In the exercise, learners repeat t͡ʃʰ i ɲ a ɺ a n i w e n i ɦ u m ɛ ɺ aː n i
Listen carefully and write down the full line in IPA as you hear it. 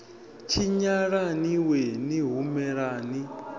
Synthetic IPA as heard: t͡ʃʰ i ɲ a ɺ a n i w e n i ɦ u m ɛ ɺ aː n i